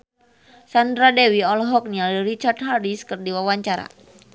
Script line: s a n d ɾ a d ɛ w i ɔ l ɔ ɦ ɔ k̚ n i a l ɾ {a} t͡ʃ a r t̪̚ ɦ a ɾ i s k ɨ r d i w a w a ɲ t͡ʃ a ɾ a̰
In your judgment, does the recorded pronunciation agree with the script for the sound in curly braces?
no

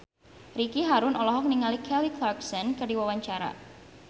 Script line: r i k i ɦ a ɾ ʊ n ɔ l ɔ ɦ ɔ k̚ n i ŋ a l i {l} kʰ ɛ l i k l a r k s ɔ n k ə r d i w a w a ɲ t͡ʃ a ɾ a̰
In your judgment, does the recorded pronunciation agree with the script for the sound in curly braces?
no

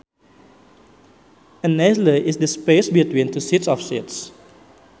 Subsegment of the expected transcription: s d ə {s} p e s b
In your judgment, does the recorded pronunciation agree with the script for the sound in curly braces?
yes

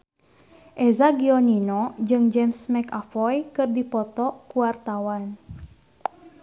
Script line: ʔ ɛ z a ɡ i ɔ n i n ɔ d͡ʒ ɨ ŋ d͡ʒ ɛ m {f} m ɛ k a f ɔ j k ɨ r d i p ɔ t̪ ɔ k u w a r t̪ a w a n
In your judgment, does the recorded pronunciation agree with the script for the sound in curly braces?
no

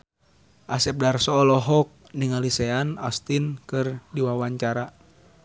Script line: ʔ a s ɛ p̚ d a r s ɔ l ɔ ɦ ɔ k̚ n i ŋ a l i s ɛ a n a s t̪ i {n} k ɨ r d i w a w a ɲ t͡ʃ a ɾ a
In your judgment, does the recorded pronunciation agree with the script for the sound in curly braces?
yes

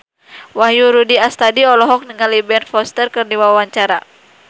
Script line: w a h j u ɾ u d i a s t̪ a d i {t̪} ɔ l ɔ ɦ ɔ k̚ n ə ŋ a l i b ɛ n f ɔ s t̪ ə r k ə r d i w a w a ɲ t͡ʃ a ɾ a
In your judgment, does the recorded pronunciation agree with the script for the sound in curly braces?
no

